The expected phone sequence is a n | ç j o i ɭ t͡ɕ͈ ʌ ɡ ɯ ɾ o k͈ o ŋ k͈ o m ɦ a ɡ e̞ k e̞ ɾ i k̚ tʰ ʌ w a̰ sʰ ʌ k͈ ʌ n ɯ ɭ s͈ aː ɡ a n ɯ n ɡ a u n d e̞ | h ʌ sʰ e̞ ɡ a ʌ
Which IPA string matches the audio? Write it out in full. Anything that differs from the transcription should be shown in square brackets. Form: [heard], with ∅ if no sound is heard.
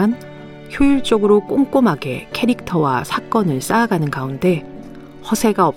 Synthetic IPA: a n | ç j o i ɭ t͡ɕ͈ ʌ ɡ ɯ ɾ o k͈ o ŋ k͈ o m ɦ a ɡ e̞ [kʰ] e̞ ɾ i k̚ tʰ ʌ w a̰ sʰ [a] k͈ ʌ n ɯ ɭ s͈ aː ɡ a n ɯ n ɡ a u n d e̞ | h ʌ sʰ e̞ ɡ a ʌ